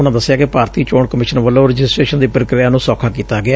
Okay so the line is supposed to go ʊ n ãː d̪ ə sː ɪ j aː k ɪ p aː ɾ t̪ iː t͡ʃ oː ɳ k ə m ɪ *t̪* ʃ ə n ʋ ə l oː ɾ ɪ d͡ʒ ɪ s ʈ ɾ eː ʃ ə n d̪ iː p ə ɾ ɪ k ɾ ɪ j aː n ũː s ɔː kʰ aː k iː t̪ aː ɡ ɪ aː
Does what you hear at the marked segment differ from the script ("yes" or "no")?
yes